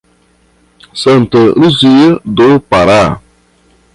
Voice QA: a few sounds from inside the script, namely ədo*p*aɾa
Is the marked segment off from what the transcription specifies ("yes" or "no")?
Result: no